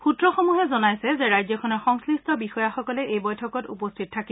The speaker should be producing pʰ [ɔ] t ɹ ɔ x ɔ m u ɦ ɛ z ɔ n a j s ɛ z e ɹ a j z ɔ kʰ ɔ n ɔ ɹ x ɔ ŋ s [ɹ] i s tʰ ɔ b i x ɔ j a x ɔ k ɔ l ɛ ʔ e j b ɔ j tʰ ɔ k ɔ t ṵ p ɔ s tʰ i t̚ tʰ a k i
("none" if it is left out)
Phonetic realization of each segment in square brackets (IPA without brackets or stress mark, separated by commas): u, l